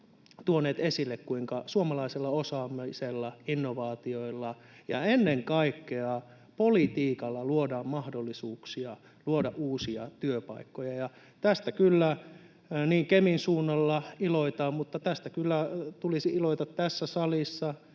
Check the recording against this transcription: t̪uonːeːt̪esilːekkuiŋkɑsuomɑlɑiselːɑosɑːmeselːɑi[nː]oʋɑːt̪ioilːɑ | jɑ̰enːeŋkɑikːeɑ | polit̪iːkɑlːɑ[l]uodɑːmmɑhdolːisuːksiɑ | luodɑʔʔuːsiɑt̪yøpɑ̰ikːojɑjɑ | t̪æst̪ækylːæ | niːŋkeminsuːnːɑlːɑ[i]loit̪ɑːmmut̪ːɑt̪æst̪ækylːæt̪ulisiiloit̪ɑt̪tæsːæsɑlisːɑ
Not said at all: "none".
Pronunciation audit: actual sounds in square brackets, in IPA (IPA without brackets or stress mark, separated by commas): nː, l, i